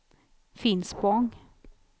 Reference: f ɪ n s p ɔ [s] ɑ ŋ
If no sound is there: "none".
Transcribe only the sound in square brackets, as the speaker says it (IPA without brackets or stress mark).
none